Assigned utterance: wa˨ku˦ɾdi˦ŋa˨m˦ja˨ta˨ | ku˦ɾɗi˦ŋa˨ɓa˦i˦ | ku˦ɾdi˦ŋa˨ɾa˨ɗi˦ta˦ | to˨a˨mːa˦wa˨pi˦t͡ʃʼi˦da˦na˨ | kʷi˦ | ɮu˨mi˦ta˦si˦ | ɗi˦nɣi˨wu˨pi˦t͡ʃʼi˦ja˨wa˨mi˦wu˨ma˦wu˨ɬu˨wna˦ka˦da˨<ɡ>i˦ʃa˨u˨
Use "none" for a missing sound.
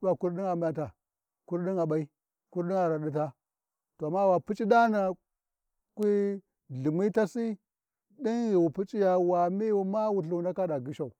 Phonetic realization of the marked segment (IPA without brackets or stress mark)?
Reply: ɡ